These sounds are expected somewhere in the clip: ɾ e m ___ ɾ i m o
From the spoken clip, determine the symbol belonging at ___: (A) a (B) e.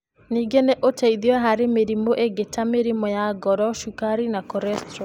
B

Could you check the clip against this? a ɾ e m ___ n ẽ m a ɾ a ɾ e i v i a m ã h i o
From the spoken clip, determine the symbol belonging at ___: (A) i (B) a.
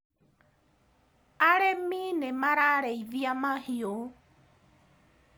A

